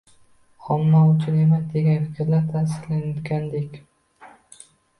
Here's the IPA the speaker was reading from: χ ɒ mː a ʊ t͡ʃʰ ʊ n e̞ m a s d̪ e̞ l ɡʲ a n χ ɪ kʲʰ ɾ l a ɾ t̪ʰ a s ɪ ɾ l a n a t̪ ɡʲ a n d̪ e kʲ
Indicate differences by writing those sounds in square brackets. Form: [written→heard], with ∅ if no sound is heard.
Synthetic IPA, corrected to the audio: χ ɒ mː a ʊ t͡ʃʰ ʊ n e̞ m a s d̪ e̞ [l→∅] ɡʲ a n [χ→f] ɪ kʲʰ ɾ l a ɾ t̪ʰ a s ɪ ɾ l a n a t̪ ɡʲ a n d̪ e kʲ